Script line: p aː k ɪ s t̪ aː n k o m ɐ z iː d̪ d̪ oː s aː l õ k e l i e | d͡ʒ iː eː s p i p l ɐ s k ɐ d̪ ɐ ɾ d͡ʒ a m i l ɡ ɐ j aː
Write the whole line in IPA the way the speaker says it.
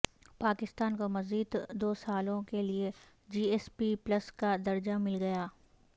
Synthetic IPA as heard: p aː k ɪ s t̪ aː n k o m ɐ z iː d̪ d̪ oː s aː l õ k e l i e | d͡ʒ iː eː s p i p l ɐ s k a d̪ ɐ ɾ d͡ʒ a m ɪ l ɡ ɐ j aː